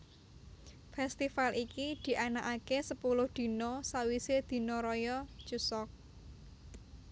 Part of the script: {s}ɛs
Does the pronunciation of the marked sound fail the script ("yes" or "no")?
yes